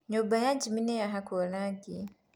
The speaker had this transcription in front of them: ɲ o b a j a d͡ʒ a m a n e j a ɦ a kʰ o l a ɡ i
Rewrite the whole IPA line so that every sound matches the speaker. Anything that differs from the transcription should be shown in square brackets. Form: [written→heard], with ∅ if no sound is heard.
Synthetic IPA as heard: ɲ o b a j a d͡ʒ [a→i] m [a→i] n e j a ɦ a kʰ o l a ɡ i